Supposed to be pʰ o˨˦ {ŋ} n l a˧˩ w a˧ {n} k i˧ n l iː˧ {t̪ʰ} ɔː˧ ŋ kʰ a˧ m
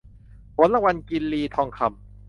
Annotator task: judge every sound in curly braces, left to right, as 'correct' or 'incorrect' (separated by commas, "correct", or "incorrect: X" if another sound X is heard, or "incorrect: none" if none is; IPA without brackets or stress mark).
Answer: incorrect: none, correct, correct